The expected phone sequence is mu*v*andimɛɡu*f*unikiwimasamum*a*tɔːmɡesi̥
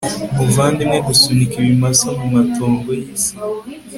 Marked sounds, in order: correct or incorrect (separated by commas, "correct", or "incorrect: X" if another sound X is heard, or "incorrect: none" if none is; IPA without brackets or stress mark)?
correct, incorrect: s, correct